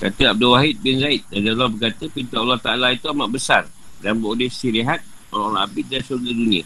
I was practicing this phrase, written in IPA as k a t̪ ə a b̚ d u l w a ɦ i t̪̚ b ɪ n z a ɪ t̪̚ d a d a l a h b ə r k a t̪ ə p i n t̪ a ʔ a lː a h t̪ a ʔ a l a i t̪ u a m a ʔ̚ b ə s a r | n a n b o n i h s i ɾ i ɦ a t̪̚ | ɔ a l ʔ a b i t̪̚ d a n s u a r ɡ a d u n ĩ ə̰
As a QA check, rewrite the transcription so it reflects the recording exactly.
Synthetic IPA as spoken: k a t̪ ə a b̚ d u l w a ɦ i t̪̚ b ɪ n z a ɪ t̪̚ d a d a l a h b ə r k a t̪ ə p i n t̪ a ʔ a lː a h t̪ a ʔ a l a i t̪ u a m a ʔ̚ b ə s a r | d a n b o d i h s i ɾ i ɦ a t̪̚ | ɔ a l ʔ a b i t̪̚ d a n s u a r ɡ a d u n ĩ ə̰